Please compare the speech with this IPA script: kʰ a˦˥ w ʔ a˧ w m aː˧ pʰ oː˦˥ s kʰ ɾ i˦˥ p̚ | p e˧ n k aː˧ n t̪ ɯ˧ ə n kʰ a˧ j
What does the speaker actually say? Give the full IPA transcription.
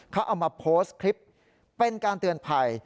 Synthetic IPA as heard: kʰ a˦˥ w ʔ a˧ w m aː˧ pʰ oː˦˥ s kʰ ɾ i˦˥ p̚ | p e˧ n k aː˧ n t̪ ɯ˧ ə n pʰ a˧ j

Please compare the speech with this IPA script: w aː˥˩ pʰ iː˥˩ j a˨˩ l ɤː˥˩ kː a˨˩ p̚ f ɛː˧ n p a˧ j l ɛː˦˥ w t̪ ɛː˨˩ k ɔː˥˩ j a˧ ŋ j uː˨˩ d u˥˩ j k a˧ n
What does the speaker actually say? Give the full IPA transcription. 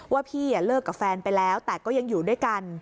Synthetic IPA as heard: w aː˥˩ pʰ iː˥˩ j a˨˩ l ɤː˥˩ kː a˨˩ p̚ f ɛː˧ n p a˧ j l ɛː˦˥ w t̪ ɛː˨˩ k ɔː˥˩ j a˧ ŋ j uː˨˩ d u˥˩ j k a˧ n

